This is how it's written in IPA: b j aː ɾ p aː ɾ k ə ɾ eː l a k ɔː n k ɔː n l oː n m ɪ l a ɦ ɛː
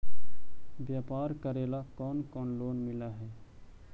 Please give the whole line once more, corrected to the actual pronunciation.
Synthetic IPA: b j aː p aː ɾ k ə ɾ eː l a k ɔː n k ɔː n l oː n m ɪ l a ɦ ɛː